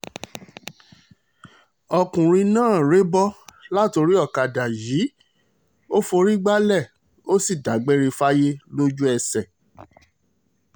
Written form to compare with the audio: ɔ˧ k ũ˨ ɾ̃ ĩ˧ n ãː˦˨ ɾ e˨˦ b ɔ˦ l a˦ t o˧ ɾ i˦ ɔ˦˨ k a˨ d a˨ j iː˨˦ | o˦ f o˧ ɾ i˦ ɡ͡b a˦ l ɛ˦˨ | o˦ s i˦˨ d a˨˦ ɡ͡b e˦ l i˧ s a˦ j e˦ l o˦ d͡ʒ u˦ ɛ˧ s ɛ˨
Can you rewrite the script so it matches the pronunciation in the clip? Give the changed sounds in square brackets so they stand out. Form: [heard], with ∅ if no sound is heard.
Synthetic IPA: ɔ˧ k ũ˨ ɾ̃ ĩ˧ n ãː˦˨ ɾ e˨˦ b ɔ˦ l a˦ t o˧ ɾ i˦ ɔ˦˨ k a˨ d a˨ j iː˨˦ | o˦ f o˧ ɾ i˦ ɡ͡b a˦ l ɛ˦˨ | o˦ s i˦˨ d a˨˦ ɡ͡b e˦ [ɾ] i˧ [f] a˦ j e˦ l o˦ d͡ʒ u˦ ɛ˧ s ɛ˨